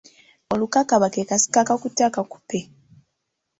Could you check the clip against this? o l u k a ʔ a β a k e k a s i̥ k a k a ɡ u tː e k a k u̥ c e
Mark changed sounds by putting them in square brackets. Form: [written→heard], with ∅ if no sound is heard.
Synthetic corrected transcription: o l u k a [ʔ→k] a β a k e k a s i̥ k a k a [ɡ→k] u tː [e→a] k a k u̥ [c→p] e